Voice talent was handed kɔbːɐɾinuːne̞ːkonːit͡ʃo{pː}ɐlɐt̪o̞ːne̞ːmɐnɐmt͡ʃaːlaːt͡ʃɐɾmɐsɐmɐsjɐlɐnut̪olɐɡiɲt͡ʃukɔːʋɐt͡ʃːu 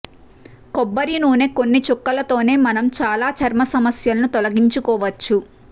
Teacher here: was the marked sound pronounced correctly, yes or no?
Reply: no